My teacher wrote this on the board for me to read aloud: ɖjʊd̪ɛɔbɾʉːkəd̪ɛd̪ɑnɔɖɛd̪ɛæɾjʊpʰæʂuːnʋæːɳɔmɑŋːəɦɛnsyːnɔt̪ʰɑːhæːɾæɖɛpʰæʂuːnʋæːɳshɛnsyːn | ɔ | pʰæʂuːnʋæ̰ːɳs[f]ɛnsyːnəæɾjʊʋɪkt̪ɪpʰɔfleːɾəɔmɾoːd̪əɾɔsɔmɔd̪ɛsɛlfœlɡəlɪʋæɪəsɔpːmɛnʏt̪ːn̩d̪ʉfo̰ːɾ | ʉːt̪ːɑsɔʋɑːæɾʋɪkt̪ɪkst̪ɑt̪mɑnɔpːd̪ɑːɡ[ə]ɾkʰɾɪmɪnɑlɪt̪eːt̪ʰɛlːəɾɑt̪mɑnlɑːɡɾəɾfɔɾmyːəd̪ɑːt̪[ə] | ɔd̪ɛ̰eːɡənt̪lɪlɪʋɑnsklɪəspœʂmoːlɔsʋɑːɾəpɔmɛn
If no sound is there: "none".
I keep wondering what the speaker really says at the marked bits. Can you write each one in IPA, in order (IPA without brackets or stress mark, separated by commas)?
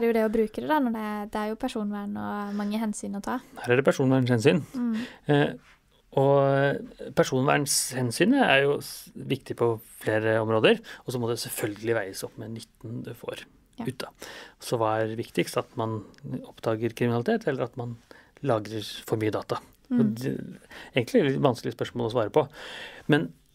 h, ə, ɑ